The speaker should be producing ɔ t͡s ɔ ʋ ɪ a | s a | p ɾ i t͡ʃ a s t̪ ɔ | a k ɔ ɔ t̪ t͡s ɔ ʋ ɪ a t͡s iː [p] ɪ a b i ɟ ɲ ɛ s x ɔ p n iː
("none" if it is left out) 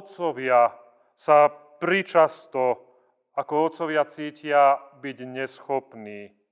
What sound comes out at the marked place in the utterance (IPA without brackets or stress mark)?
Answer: c